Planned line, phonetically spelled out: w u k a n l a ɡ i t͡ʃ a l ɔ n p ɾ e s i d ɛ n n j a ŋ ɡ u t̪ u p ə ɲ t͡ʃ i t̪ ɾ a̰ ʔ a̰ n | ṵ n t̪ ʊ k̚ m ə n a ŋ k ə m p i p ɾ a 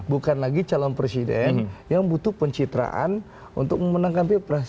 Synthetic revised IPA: b u k a n l a ɡ i t͡ʃ a l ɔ n p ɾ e s i d ɛ n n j a ŋ b u t̪ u p ə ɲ t͡ʃ i t̪ ɾ a̰ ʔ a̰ n | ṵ n t̪ ʊ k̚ m ə n a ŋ k a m p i p ɾ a